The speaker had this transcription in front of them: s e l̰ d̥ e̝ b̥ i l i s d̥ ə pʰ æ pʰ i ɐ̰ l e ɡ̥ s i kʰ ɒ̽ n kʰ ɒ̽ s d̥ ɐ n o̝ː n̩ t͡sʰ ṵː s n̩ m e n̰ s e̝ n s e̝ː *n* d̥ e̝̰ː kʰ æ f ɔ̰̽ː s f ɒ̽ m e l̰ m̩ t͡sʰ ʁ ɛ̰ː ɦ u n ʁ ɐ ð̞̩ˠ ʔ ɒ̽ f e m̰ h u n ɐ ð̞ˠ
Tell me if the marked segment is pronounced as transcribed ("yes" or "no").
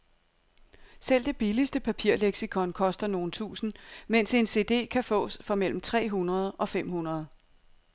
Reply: no